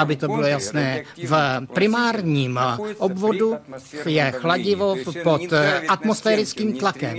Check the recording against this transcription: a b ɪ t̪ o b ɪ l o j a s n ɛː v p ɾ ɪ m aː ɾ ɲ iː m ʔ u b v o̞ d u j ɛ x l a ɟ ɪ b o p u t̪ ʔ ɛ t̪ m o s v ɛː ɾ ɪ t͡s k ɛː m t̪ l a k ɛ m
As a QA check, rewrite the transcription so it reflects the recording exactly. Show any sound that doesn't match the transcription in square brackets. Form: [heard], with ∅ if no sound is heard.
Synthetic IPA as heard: a b ɪ t̪ o b ɪ l o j a s n ɛː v p ɾ ɪ m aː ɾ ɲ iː m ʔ [o] b v o̞ d u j ɛ x l a ɟ ɪ [v] o p [o] t̪ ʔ [a] t̪ m o s [f] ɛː ɾ ɪ t͡s k [iː] m t̪ l a k ɛ m